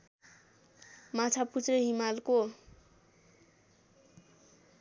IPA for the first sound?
m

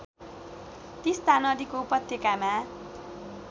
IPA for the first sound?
t̪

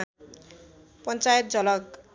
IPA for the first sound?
p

